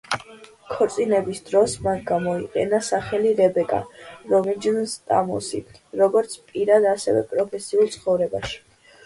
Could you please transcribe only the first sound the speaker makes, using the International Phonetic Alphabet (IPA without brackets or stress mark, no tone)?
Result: kʰ